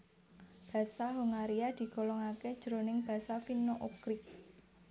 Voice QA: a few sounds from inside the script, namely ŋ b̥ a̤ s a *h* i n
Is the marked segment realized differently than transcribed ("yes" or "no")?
yes